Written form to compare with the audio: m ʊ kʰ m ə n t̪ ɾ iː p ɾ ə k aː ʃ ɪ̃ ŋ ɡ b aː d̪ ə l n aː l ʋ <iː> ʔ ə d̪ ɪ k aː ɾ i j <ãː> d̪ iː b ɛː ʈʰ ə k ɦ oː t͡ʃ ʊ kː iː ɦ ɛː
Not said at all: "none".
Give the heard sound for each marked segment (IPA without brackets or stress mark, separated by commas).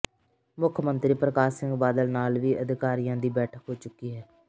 iː, ãː